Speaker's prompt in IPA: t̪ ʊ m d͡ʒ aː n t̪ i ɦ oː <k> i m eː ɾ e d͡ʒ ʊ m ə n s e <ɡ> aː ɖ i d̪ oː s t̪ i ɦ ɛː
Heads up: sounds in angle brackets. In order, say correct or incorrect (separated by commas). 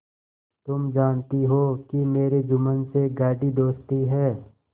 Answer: correct, correct